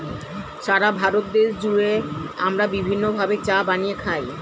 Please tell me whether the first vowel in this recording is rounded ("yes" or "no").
no